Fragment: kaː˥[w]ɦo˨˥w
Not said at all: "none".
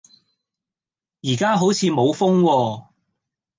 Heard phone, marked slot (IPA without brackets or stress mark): none